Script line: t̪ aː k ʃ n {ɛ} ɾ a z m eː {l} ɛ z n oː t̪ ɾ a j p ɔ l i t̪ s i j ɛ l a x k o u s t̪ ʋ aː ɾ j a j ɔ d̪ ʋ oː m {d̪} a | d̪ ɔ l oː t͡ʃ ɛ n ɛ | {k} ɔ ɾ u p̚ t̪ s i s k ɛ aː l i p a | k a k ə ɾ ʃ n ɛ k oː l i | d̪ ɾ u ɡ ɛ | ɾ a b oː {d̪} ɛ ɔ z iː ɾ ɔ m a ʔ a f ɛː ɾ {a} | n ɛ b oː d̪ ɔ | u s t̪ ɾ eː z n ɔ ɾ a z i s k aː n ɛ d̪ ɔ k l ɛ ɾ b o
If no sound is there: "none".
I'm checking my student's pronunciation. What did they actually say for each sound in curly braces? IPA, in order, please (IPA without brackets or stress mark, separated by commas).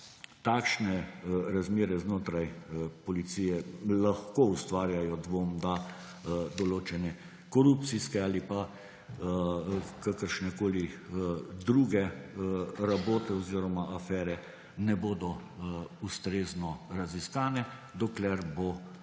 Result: ɛ, ɾ, d̪, k, t̪, ɛ